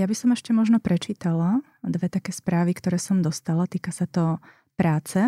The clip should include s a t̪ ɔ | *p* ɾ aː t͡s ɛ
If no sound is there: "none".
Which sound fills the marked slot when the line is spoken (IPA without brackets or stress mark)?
p